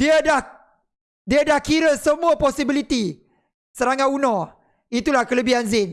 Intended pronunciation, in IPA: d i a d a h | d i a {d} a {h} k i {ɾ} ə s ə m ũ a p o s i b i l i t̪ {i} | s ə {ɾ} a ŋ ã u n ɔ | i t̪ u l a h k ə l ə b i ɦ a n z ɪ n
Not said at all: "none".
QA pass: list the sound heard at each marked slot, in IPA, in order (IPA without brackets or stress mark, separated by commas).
d, h, ɾ, i, ɾ